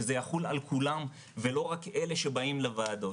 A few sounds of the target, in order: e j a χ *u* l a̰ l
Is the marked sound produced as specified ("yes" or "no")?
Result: yes